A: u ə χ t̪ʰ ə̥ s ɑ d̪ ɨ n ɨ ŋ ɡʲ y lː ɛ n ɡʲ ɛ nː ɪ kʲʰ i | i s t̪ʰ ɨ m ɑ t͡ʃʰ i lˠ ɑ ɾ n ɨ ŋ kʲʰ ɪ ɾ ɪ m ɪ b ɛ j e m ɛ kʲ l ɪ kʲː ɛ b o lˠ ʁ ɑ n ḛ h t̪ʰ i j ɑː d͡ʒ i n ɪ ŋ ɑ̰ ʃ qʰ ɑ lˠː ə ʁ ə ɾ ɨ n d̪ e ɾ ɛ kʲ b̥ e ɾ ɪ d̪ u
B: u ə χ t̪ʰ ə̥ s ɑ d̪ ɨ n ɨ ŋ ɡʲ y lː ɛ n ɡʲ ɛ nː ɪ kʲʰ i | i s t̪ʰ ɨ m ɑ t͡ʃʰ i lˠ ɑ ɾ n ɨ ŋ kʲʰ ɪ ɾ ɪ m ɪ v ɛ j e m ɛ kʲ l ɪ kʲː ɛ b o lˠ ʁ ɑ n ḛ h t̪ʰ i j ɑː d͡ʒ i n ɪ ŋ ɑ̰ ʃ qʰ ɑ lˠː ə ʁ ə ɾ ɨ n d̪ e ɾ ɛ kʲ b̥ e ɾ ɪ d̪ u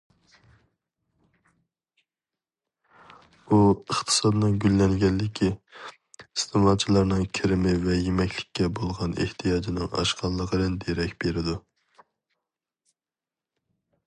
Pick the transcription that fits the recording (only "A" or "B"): B